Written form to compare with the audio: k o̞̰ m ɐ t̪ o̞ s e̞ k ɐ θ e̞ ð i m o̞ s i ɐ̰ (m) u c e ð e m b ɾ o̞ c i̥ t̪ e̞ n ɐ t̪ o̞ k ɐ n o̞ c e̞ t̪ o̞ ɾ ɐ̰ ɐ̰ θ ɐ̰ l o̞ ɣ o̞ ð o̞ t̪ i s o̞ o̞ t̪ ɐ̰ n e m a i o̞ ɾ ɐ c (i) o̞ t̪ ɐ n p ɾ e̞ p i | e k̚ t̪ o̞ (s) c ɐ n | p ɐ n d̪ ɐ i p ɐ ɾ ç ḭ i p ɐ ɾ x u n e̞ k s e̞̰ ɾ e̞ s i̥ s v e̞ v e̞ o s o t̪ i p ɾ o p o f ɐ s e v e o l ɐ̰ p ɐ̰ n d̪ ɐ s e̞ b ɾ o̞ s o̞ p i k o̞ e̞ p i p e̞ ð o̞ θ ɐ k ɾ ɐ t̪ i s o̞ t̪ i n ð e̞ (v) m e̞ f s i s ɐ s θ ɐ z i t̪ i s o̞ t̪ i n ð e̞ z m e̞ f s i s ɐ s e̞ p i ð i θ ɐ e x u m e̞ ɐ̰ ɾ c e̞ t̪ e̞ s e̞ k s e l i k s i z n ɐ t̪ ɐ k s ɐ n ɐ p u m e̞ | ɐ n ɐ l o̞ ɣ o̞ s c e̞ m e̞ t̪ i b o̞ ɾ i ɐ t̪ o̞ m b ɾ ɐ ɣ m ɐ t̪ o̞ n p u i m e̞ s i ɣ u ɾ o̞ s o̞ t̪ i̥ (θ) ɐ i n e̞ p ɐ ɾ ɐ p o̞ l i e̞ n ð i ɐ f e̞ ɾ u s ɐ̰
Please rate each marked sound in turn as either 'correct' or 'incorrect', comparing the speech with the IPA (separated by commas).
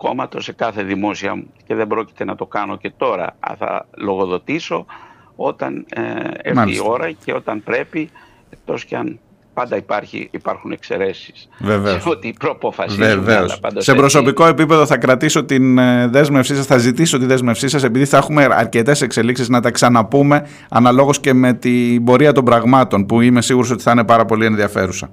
correct, incorrect, correct, incorrect, correct